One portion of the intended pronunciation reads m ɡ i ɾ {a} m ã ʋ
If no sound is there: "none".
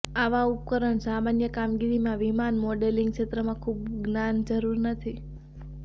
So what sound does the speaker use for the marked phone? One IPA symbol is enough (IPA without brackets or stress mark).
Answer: i